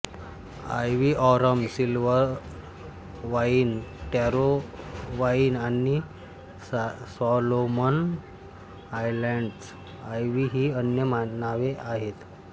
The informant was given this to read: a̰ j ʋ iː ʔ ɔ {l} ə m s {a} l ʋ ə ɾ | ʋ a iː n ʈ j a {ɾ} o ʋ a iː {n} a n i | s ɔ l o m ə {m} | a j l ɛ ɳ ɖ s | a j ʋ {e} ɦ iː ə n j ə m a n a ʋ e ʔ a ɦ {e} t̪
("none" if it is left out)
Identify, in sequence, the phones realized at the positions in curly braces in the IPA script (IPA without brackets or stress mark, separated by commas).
ɾ, i, ɾ, n, n, i, e